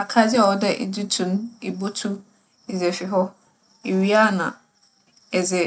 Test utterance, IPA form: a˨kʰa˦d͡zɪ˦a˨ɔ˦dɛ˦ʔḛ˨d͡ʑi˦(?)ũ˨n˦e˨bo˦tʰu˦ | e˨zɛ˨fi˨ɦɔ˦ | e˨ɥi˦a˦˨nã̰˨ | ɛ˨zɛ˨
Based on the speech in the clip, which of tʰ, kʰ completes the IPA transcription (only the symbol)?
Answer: tʰ